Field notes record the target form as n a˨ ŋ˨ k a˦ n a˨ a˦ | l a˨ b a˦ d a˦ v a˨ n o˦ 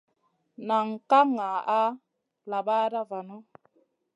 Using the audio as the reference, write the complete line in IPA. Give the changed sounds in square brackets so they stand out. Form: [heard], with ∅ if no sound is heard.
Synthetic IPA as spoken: n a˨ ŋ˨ k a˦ [ŋ] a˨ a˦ | l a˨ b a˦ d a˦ v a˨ n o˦